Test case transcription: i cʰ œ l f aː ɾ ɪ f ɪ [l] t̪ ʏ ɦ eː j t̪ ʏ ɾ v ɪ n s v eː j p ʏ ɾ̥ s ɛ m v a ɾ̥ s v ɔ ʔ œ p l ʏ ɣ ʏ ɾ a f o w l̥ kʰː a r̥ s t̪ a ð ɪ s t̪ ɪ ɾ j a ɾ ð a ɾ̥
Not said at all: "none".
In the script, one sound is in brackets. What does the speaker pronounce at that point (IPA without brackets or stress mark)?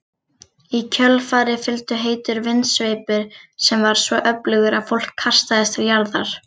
l